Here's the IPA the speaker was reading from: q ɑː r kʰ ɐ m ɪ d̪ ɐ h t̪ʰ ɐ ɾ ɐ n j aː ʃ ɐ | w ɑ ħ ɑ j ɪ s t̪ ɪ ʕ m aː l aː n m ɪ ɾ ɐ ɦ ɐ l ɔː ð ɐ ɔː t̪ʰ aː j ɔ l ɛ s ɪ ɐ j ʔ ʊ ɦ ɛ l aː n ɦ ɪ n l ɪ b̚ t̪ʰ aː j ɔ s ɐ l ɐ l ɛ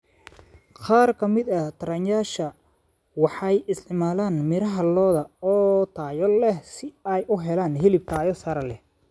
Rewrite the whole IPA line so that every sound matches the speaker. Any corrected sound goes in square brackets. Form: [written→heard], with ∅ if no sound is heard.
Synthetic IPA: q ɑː r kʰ ɐ m ɪ d̪ ɐ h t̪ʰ ɐ ɾ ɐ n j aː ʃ ɐ | w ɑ ħ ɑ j ɪ s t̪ ɪ ʕ m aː l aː n m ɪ ɾ ɐ ɦ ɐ l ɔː ð ɐ ɔː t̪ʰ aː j ɔ l ɛ s ɪ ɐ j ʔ ʊ ɦ ɛ l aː n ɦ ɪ [n→∅] l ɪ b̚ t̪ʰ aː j ɔ s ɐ [l→ɾ] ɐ l ɛ